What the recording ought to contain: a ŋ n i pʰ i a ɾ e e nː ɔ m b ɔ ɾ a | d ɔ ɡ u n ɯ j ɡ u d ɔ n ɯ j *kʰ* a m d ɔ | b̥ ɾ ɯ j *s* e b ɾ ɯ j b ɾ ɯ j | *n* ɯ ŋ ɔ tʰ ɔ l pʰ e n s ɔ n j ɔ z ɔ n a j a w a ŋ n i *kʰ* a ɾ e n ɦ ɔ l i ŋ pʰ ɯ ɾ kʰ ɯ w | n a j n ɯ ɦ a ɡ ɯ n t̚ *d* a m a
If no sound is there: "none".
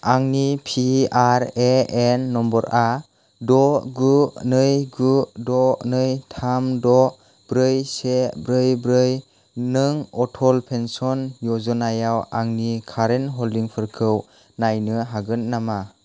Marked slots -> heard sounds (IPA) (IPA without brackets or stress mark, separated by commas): tʰ, s, n, kʰ, n